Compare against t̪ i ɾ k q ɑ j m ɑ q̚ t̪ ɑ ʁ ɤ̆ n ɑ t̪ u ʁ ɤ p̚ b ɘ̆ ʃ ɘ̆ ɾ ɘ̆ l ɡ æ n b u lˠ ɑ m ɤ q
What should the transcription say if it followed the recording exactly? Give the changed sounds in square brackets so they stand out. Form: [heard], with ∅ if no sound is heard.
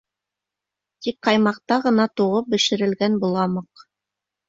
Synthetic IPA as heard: t̪ i [∅] k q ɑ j m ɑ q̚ t̪ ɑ ʁ ɤ̆ n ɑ t̪ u ʁ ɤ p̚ b ɘ̆ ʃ ɘ̆ ɾ ɘ̆ l ɡ æ n b u lˠ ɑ m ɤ q